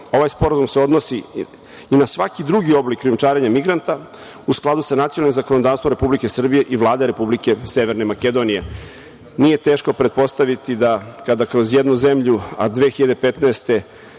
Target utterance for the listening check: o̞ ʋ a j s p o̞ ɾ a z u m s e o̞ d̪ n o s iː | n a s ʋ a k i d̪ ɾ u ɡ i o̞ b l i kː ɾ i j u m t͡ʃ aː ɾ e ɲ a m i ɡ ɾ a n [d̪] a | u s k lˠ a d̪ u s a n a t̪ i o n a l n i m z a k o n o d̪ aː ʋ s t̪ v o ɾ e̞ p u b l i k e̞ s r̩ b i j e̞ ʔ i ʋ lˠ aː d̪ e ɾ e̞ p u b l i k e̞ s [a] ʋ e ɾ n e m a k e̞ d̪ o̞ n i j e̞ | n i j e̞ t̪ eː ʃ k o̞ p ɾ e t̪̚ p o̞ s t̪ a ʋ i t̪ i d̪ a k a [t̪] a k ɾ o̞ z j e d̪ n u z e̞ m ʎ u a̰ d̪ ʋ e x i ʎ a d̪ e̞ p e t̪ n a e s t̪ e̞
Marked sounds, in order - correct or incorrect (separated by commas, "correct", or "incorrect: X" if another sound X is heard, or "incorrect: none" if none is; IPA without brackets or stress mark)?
incorrect: t̪, incorrect: e, incorrect: d̪